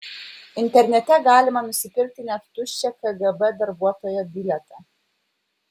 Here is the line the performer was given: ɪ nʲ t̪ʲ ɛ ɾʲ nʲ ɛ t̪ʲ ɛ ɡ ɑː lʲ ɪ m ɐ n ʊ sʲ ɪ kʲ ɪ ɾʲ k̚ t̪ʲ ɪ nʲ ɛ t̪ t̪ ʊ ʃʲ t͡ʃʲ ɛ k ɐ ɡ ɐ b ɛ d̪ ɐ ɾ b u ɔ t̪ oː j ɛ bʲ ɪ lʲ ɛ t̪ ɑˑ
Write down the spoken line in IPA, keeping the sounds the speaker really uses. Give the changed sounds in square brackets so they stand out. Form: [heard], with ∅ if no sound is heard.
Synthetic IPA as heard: ɪ nʲ t̪ʲ ɛ ɾʲ nʲ ɛ t̪ʲ ɛ ɡ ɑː lʲ ɪ m ɐ n ʊ sʲ ɪ [pʲ] ɪ ɾʲ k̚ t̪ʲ ɪ nʲ ɛ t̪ t̪ ʊ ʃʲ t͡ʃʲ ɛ k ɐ ɡ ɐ b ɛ d̪ ɐ ɾ b u ɔ t̪ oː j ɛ bʲ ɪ lʲ ɛ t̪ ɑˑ